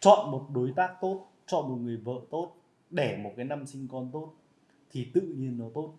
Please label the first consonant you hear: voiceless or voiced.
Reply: voiceless